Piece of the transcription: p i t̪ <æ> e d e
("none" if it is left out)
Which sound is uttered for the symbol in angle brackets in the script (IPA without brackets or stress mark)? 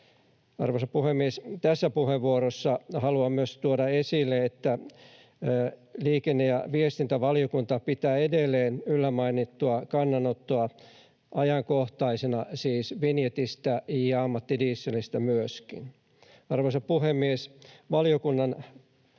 æː